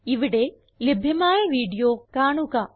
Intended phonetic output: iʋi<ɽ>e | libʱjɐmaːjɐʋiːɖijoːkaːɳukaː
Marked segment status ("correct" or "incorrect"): correct